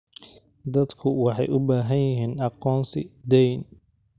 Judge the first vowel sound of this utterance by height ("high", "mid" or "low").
low